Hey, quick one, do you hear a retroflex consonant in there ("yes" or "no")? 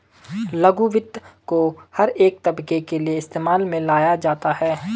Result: no